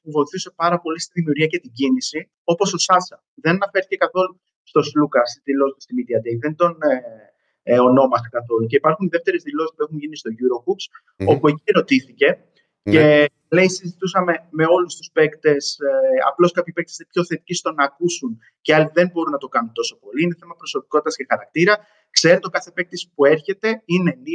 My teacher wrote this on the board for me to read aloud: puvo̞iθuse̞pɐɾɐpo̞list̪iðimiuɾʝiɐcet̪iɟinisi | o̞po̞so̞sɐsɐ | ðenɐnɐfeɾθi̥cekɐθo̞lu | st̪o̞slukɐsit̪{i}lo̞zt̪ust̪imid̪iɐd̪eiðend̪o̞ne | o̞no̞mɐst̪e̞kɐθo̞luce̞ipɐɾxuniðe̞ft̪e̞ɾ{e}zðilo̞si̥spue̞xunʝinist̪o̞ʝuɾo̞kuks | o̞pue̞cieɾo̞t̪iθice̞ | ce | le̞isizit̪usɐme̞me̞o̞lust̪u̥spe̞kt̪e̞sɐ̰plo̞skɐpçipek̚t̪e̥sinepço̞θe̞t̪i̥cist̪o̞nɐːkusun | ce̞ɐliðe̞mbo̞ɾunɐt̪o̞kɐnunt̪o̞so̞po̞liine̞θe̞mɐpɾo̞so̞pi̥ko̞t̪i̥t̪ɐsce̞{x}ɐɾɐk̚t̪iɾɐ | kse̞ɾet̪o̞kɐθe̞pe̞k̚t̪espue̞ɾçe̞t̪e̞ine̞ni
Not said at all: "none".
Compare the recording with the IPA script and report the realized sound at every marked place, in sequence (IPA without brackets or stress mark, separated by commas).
i, e, x